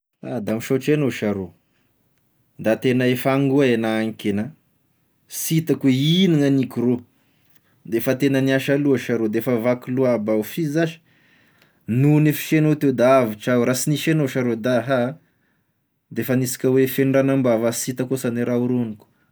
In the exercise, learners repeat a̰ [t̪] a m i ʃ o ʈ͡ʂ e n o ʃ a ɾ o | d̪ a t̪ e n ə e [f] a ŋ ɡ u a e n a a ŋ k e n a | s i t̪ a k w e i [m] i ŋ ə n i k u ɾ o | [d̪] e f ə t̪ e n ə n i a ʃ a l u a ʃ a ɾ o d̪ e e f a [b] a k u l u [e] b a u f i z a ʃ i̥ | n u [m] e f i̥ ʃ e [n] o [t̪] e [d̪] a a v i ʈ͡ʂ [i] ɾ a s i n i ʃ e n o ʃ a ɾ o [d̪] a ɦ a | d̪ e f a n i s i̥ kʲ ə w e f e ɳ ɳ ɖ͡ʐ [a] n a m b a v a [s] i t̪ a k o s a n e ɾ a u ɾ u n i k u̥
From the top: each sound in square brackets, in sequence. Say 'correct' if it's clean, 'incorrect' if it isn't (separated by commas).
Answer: incorrect, correct, incorrect, correct, incorrect, incorrect, incorrect, correct, correct, correct, incorrect, correct, correct, correct